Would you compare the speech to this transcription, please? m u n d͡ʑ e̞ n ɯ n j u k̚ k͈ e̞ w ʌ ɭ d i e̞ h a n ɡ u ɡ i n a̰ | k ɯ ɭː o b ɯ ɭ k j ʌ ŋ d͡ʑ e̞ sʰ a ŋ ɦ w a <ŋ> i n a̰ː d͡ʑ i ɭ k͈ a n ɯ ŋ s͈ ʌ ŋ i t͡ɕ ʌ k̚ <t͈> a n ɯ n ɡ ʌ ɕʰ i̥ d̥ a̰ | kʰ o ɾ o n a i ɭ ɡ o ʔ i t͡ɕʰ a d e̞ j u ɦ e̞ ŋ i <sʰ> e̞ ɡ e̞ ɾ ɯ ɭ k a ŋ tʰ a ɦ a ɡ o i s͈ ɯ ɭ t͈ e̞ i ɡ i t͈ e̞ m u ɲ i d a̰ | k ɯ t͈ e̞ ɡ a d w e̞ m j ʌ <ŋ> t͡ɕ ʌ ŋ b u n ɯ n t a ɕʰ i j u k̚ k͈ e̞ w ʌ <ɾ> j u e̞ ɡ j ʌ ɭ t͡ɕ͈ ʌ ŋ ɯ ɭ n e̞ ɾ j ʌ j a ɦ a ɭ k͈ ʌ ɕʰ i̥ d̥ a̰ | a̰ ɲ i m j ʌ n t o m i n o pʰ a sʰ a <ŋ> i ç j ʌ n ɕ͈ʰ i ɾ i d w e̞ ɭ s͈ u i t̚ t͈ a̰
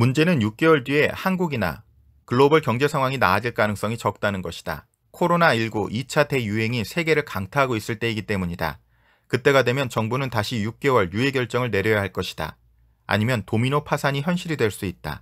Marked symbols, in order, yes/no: yes, yes, yes, no, no, no

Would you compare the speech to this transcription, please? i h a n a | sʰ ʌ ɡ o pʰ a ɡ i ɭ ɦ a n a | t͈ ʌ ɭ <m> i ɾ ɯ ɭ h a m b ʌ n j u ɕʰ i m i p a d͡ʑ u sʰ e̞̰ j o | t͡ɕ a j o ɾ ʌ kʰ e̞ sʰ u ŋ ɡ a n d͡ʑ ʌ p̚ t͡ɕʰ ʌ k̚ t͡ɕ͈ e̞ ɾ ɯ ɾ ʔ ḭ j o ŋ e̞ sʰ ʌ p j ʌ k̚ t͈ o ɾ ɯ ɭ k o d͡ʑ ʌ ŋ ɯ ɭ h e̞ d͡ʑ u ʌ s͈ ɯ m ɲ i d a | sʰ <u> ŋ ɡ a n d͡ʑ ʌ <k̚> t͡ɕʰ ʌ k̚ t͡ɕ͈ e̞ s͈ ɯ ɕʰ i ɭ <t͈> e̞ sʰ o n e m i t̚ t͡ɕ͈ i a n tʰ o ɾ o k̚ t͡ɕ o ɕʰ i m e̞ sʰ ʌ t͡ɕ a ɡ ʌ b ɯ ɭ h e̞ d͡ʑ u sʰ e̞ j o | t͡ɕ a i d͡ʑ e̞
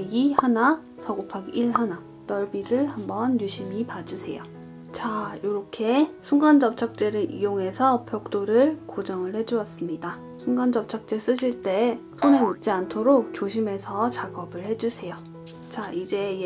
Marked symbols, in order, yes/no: no, yes, no, yes

